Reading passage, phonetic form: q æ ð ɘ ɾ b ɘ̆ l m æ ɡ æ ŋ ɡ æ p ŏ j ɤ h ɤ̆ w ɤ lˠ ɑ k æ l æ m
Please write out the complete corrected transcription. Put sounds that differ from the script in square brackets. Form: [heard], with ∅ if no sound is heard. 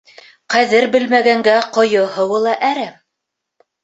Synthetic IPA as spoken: q æ ð ɘ ɾ b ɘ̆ l m æ ɡ æ ŋ ɡ æ [q] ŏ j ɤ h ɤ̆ w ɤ lˠ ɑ [ʔ] æ [ɾ] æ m